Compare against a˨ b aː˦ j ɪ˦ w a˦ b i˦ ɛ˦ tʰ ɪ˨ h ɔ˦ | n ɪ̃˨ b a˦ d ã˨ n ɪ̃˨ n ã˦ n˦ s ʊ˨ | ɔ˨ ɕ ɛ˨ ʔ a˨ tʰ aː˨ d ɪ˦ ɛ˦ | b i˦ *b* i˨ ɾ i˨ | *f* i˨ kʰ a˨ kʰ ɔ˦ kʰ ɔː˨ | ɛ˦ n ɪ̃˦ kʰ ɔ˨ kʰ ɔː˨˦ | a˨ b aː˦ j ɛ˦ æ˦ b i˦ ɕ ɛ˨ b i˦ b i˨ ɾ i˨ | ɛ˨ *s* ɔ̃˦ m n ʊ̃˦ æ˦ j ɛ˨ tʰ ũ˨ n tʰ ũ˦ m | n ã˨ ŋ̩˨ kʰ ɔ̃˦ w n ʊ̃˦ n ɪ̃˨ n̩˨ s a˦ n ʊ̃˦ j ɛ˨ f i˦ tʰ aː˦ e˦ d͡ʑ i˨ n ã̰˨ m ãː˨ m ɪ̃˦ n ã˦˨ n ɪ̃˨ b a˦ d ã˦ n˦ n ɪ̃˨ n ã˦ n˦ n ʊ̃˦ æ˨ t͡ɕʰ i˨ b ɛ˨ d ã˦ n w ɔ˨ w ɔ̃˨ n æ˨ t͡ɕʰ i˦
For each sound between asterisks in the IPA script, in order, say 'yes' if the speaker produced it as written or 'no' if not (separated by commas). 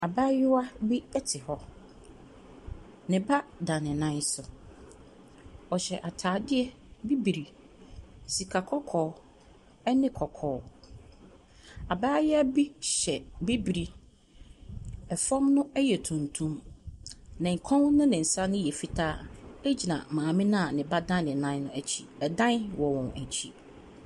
yes, no, no